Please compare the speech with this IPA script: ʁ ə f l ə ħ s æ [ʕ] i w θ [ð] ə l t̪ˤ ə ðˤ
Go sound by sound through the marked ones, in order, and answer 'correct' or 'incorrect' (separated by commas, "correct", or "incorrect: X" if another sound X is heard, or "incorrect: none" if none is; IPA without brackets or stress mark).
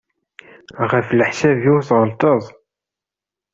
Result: incorrect: v, incorrect: ʁ